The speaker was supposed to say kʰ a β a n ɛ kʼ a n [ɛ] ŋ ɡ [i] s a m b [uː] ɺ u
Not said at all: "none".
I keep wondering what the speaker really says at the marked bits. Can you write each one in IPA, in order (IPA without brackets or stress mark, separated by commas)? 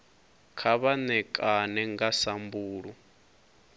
ɛ, a, uː